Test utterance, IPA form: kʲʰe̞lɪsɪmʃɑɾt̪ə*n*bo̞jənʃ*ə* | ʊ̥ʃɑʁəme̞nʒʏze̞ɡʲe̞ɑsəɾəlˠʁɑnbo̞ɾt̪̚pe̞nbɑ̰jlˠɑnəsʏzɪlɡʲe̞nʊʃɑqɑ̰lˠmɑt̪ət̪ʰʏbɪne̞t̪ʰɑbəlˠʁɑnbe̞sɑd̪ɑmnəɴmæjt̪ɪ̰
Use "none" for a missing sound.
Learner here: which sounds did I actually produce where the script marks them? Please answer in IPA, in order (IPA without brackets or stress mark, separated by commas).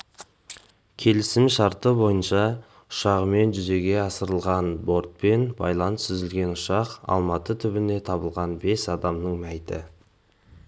none, ɑ